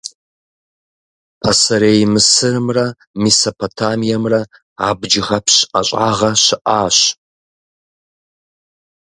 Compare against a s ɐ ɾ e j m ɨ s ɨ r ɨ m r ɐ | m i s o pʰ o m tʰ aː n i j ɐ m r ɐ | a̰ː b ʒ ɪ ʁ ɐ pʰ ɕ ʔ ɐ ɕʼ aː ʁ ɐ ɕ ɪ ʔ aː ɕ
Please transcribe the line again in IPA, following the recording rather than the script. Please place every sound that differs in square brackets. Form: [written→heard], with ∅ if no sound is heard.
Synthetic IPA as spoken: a s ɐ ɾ e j m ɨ s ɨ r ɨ m r ɐ | m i s o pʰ o [m→∅] tʰ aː [n→m] i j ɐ m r ɐ | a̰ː b [ʒ→d͡ʒ] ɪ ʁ ɐ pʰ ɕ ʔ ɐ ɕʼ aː ʁ ɐ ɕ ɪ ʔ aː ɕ